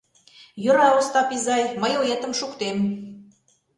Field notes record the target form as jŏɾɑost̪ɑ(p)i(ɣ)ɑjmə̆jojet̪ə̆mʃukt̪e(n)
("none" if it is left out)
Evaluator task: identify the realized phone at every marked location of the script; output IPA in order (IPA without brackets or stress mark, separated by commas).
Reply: p, z, m